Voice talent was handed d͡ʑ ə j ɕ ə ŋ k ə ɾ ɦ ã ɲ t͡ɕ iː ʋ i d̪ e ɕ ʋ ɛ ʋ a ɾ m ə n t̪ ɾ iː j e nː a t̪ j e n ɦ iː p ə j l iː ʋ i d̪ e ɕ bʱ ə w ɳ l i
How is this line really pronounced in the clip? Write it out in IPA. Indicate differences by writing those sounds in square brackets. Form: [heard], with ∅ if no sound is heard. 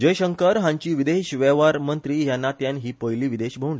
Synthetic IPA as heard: d͡ʑ ə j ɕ ə ŋ k ə ɾ ɦ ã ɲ t͡ɕ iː ʋ i d̪ e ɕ ʋ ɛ ʋ a ɾ m ə n t̪ ɾ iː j [a] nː a t̪ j [a] n ɦ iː p ə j l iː ʋ i d̪ e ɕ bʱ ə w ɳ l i